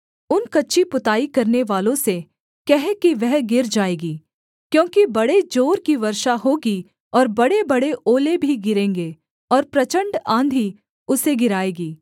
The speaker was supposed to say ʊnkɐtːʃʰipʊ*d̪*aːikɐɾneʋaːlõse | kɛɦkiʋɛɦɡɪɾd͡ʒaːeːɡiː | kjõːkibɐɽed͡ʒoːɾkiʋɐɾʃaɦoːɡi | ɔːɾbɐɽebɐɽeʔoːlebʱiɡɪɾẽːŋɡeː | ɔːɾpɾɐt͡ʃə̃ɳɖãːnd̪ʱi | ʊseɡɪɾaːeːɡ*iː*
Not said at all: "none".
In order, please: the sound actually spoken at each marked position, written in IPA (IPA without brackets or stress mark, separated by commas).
t̪, iː